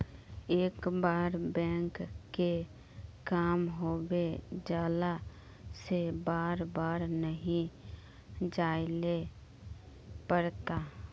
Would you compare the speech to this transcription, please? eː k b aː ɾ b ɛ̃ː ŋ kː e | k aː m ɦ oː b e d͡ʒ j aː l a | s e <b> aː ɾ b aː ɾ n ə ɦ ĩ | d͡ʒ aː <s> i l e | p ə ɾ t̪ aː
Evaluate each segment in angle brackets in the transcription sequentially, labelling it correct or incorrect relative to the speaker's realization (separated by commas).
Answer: correct, incorrect